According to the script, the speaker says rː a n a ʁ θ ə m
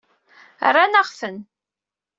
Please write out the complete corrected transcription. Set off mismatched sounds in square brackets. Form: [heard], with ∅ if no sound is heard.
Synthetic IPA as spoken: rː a n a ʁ [f] ə [n]